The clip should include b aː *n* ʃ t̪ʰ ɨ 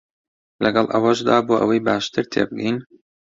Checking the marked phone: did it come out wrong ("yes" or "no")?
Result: yes